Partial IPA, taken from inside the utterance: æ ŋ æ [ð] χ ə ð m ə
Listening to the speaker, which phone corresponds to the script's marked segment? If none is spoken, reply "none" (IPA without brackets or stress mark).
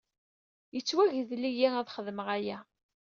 ð